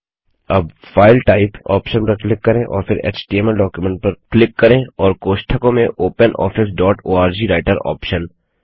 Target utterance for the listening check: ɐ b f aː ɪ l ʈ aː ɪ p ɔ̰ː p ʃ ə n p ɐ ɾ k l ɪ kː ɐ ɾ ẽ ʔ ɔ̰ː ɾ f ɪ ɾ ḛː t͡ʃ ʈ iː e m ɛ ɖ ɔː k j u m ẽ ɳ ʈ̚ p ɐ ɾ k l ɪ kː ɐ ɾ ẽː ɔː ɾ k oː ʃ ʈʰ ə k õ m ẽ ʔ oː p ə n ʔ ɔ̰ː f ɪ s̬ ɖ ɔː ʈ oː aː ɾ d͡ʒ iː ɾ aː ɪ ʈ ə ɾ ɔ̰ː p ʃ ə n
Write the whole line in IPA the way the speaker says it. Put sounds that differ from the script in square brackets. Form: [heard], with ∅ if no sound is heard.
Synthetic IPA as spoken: ɐ b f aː ɪ l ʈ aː ɪ p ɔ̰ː p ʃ ə n p ɐ ɾ k l ɪ kː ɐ ɾ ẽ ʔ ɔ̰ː ɾ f ɪ ɾ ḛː t͡ʃ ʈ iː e m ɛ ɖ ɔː k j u m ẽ ɳ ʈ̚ p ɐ ɾ k l ɪ kː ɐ ɾ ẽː ɔː ɾ k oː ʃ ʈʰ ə k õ m ẽ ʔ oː p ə n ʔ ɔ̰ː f ɪ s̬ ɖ ɔː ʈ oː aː ɾ d͡ʒ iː ɾ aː ɪ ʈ ə ɾ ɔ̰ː p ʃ ə n